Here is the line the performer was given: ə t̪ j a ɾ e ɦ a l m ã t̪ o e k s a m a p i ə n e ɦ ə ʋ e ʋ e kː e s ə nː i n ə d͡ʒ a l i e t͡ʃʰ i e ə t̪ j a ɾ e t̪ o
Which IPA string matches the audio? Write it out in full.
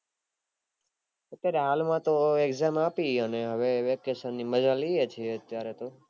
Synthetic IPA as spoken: ə t̪ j a ɾ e ɦ a l m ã t̪ o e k z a m a p i ə n e ɦ ə ʋ e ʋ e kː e s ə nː i m ə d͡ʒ a l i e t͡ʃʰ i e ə t̪ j a ɾ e t̪ o